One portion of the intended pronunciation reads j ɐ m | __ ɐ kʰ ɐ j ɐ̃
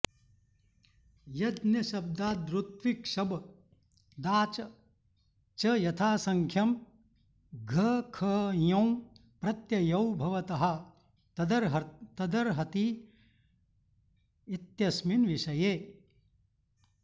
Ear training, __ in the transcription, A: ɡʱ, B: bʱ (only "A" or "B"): A